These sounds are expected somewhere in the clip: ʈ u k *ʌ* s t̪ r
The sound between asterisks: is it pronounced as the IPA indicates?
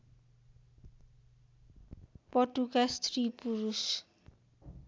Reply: no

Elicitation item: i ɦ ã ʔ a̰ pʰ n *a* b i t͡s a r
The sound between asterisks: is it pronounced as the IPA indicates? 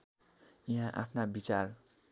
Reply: yes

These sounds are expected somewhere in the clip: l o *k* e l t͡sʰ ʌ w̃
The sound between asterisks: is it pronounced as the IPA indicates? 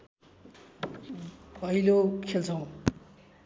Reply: no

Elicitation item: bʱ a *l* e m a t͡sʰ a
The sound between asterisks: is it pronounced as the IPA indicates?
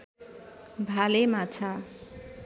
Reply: yes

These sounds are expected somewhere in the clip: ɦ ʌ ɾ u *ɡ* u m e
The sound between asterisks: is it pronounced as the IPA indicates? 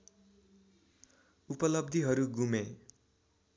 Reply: yes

